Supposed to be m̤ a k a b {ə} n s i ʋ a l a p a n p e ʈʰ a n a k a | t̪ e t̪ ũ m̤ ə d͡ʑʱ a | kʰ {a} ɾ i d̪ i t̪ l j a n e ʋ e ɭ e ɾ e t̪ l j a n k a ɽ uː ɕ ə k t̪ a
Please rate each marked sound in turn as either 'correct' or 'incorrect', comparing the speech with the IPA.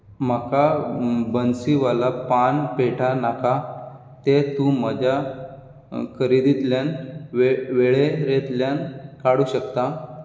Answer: correct, incorrect: ə

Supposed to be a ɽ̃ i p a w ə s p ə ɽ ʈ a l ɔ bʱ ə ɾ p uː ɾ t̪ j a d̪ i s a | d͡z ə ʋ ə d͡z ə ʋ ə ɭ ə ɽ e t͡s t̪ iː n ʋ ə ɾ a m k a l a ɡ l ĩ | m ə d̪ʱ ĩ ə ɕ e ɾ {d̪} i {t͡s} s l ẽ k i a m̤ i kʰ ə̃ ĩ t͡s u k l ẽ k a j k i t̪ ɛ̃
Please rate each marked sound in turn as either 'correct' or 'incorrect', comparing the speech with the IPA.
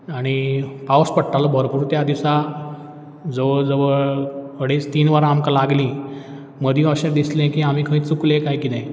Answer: correct, incorrect: none

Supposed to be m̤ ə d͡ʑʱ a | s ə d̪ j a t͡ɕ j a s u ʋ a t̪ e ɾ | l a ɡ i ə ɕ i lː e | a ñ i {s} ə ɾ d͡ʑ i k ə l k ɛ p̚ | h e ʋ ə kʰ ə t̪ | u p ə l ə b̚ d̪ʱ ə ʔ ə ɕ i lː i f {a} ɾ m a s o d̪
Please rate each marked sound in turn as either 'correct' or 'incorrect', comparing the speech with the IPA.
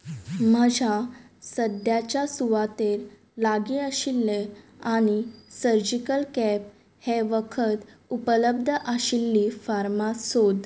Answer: correct, correct

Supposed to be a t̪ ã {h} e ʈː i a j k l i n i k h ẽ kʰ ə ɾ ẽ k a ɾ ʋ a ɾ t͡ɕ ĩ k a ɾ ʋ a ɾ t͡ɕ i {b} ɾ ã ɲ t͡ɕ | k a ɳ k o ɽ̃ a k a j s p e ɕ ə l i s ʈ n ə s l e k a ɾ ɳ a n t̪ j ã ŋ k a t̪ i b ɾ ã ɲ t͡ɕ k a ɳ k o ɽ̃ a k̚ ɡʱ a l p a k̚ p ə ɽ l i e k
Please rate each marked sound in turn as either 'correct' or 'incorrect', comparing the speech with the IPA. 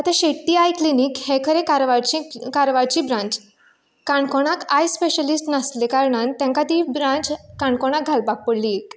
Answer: incorrect: ɕ, correct

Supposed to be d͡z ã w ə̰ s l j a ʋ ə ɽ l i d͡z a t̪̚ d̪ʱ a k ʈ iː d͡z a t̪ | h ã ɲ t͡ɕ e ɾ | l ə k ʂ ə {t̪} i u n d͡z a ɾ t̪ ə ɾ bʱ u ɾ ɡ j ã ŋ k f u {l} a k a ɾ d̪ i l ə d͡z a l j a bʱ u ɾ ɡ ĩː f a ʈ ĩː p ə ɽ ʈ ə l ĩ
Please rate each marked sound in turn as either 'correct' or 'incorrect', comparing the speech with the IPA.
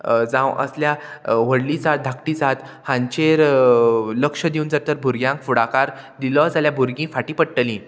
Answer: incorrect: d̪, incorrect: ɽ

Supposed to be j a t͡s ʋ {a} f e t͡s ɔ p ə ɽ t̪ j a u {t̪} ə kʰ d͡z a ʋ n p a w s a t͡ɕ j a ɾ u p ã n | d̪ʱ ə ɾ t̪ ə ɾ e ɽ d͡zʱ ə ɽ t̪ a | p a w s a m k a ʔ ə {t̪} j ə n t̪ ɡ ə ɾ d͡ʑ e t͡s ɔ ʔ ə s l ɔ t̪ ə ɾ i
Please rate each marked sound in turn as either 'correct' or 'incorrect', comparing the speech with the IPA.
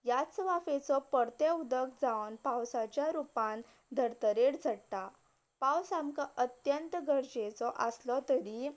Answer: correct, incorrect: d̪, correct

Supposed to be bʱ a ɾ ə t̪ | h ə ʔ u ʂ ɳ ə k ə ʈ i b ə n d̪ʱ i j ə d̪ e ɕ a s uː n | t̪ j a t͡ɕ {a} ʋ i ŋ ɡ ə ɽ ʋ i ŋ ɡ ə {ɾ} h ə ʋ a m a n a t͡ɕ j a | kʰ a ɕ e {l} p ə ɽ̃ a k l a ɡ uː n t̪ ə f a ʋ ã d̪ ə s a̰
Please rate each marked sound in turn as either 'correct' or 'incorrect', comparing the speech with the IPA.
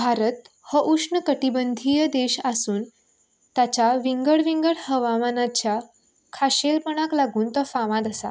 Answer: correct, incorrect: ɽ, correct

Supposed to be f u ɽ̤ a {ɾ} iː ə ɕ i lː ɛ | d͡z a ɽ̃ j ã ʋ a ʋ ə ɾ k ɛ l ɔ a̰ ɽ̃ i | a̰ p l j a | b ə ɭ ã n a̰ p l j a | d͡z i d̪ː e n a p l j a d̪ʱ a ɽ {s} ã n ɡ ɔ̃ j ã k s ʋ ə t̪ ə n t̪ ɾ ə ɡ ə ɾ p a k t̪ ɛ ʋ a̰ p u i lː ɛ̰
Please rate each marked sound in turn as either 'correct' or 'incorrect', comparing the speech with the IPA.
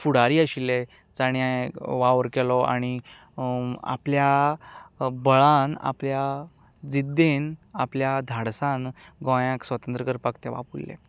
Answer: correct, correct

